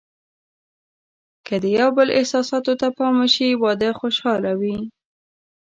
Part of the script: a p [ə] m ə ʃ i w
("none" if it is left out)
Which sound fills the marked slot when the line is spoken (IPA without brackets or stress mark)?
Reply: ɑ